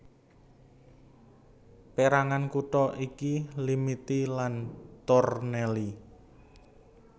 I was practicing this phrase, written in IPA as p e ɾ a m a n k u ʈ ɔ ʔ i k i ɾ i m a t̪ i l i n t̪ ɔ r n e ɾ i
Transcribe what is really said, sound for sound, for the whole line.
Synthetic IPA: p e ɾ a ŋ a n k u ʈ ɔ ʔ i k i l i m i t̪ i l a n t̪ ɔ r n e l i